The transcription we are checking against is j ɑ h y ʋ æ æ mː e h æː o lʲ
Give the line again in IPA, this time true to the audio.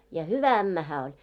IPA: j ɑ h y ʋ æ æ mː æ h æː o lʲ